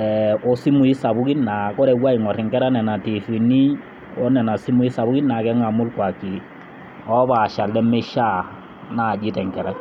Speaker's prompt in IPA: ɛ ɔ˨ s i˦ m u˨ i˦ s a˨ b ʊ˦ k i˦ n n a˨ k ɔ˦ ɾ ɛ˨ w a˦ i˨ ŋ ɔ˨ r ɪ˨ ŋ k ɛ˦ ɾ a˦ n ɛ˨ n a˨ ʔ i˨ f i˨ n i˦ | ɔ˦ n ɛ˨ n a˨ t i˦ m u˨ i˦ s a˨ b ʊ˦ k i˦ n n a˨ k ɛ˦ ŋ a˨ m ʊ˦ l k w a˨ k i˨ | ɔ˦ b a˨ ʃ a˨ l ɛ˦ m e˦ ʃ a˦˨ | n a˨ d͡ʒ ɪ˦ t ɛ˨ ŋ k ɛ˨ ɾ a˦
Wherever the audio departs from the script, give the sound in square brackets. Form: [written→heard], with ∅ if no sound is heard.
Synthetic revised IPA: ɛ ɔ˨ s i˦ m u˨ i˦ s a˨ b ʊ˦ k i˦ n n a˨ k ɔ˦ ɾ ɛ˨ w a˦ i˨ ŋ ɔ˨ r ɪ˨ ŋ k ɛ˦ ɾ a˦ n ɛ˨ n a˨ [ʔ→t] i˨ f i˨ n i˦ | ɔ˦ n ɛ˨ n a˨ [t→s] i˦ m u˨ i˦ s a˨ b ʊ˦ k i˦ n n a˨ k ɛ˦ ŋ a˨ m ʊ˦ l k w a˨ k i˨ | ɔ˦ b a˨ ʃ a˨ l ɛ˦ m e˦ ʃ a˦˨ | n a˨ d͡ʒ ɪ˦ t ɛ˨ ŋ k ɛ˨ ɾ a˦